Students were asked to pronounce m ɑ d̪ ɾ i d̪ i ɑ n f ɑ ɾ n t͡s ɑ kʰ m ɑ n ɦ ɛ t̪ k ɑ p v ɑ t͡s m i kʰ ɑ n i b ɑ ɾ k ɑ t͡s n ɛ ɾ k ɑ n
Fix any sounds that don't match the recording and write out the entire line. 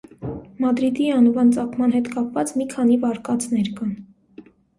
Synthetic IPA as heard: m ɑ d̪ ɾ i d̪ i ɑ n v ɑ n t͡s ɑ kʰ m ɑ n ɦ ɛ t̪ k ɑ p v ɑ t͡s m i kʰ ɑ n i v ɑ ɾ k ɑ t͡s n ɛ ɾ k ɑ n